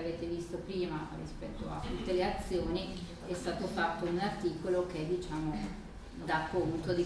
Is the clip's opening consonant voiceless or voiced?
voiced